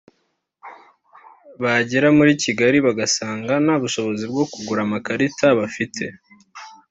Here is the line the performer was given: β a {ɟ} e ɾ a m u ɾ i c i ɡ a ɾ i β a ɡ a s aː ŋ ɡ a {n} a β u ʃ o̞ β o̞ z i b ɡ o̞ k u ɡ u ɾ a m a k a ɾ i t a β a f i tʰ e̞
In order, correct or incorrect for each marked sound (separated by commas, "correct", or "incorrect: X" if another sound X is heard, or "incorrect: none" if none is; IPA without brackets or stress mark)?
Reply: correct, correct